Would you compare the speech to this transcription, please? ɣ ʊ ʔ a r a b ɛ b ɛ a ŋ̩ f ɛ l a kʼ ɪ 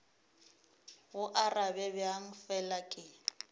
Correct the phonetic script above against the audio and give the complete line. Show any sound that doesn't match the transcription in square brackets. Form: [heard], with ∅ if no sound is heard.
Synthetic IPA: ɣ ʊ ʔ a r a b ɛ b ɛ a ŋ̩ f ɛ l a kʼ ɪ